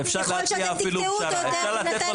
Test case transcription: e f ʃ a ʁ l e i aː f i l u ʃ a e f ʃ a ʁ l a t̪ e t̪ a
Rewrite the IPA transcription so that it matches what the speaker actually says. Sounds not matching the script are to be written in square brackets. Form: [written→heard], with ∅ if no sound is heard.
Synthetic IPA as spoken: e f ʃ a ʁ l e i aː f i l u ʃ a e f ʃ a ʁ l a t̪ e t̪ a